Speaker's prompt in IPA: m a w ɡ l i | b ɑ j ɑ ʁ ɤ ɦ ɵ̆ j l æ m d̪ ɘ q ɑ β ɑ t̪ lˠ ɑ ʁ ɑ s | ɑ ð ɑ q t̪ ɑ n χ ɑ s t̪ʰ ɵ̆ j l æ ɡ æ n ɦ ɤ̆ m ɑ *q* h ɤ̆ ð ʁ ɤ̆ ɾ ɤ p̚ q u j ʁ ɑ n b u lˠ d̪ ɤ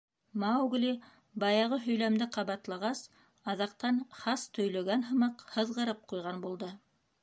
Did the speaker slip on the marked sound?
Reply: no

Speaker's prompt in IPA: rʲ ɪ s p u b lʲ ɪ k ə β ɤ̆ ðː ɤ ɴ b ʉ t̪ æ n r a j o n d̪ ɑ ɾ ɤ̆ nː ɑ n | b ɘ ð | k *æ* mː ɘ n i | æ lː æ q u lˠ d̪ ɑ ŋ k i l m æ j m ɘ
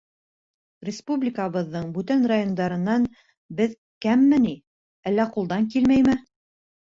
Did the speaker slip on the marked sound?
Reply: no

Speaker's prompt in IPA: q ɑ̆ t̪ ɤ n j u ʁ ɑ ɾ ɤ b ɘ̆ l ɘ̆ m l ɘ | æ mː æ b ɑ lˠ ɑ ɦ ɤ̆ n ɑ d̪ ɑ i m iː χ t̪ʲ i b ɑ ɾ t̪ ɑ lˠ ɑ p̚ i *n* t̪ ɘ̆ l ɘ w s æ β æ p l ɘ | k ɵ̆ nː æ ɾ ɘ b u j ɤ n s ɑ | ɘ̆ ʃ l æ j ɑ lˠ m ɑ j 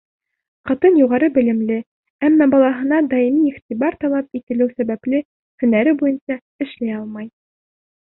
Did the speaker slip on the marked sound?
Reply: yes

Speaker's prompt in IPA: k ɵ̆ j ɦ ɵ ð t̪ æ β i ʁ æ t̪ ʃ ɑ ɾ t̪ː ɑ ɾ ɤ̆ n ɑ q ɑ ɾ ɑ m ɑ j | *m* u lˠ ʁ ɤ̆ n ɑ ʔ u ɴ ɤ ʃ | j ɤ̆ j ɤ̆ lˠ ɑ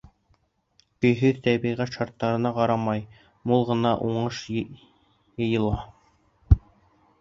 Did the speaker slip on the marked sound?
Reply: no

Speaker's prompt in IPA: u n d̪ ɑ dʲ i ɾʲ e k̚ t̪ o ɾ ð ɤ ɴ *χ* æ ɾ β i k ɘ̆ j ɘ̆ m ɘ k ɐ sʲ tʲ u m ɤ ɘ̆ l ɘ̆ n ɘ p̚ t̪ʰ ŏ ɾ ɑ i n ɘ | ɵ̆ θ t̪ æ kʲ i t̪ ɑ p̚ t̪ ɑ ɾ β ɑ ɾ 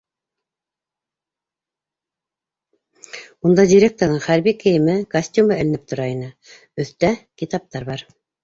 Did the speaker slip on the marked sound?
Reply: no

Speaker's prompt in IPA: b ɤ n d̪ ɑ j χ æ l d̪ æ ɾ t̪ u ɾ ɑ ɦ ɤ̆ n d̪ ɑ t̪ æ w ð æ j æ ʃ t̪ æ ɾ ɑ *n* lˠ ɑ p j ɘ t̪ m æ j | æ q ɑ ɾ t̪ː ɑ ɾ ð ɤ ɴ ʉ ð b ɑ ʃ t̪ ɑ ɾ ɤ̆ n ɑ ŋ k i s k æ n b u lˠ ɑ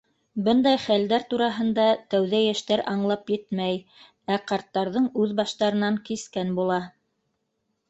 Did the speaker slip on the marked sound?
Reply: yes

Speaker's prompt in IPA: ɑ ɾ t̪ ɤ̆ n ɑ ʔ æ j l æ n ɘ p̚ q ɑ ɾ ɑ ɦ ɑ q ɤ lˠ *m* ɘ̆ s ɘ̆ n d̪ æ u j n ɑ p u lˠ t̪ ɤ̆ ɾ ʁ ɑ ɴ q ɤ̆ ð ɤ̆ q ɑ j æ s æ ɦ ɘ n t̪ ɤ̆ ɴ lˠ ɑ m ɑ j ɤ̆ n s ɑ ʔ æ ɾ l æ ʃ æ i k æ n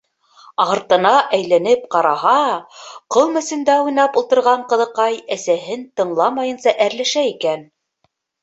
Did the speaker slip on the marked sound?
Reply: no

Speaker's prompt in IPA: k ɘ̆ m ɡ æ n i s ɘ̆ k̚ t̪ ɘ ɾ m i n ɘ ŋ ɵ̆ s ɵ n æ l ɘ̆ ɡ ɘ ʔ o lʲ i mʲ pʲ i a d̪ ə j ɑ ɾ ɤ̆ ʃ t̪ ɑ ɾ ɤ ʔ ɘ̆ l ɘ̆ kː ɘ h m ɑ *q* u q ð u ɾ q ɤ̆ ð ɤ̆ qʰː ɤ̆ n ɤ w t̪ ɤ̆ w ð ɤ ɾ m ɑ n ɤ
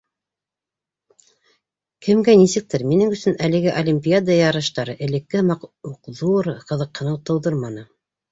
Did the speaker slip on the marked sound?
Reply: no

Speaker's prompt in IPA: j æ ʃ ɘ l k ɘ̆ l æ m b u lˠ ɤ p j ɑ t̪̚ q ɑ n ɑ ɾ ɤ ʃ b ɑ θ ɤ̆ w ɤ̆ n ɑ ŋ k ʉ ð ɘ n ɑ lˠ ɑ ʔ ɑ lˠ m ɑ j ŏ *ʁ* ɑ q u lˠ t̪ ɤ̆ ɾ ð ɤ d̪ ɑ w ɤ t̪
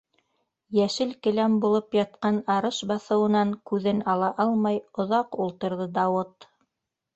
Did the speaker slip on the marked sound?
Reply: yes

